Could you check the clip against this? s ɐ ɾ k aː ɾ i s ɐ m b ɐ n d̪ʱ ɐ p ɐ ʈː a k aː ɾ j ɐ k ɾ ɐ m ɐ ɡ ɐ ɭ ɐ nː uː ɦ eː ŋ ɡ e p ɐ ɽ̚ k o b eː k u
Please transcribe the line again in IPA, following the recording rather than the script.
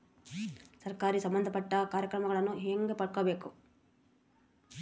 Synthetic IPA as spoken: s ɐ ɾ k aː ɾ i s ɐ m b ɐ n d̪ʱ ɐ p ɐ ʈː ɐ k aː ɾ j ɐ k ɾ ɐ m ɐ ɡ ɐ ɭ ɐ nː u ɦ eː ŋ ɡ e p ɐ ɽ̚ k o b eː k u